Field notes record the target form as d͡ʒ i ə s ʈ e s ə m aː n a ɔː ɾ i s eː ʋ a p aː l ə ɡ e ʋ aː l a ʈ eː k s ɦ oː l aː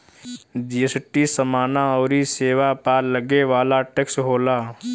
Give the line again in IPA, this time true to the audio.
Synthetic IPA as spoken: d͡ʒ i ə s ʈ i s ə m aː n a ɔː ɾ i s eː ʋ a p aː l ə ɡ e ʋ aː l a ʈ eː k s ɦ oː l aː